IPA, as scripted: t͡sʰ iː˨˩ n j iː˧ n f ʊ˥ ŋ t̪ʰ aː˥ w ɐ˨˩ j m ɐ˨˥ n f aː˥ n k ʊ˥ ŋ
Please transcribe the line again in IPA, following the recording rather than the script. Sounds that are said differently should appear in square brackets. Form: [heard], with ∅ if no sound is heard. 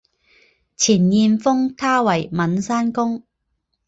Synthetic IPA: t͡sʰ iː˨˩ n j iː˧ n f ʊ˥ ŋ t̪ʰ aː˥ w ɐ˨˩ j m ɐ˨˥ n [s] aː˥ n k ʊ˥ ŋ